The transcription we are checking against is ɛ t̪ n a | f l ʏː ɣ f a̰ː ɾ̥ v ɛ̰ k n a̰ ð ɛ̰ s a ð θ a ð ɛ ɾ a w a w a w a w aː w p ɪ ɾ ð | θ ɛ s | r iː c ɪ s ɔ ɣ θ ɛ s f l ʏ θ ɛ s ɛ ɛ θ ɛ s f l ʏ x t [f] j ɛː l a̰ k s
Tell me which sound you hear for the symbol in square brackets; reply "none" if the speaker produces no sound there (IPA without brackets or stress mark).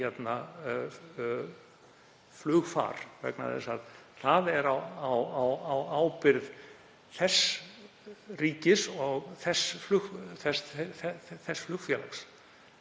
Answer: f